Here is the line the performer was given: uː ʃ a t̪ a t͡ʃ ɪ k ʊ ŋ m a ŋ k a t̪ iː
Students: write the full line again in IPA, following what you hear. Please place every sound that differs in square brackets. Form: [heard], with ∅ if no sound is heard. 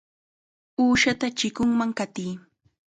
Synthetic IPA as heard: uː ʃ a t̪ a t͡ʃ ɪ k ʊ ŋ m a ŋ k a t̪ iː